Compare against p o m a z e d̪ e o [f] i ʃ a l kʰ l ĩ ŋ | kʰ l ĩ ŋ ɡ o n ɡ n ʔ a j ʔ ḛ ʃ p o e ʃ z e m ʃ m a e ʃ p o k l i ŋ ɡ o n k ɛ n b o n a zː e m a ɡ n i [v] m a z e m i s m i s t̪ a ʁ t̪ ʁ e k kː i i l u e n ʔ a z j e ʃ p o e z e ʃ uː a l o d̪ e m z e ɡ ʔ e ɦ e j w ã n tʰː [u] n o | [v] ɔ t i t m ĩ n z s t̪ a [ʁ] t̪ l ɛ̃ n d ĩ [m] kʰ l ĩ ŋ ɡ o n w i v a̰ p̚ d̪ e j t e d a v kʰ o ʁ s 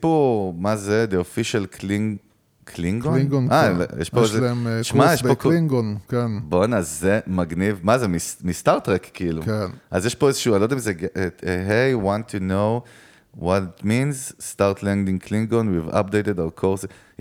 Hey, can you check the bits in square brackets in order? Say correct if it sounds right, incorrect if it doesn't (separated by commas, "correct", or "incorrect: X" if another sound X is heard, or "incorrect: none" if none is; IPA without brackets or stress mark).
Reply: correct, correct, correct, incorrect: w, correct, incorrect: ŋ